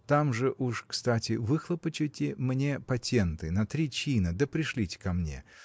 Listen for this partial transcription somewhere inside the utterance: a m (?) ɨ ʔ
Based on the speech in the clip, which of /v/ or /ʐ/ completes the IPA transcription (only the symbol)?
ʐ